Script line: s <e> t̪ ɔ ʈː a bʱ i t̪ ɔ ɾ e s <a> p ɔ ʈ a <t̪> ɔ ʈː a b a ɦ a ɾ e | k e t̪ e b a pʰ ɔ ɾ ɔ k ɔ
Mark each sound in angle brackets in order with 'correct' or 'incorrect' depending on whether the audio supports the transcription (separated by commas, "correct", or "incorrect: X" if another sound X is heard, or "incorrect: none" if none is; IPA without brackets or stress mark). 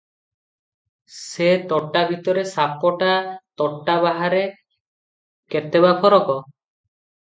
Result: correct, correct, correct